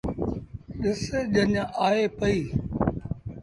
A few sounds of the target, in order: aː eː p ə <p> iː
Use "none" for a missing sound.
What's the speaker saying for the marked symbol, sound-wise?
none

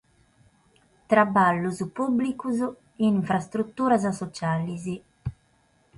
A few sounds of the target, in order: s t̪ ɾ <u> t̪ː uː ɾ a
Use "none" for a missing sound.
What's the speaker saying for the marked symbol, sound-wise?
u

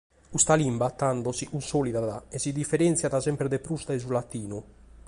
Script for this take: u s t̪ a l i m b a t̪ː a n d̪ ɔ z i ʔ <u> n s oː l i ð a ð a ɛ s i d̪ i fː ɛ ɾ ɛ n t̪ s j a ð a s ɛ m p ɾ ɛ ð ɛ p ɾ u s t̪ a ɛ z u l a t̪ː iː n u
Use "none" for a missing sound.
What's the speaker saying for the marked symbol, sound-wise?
u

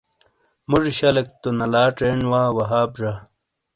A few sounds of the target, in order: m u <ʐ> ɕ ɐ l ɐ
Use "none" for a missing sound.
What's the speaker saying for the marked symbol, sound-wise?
ʐ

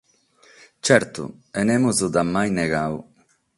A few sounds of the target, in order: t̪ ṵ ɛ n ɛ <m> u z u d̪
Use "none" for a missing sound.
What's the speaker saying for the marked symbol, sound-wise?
m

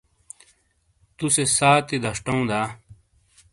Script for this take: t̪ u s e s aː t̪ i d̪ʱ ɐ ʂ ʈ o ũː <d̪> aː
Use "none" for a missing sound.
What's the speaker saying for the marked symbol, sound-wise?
d̪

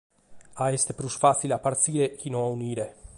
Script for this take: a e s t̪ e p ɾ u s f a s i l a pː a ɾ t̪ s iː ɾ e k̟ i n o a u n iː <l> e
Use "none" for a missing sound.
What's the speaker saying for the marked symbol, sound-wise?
ɾ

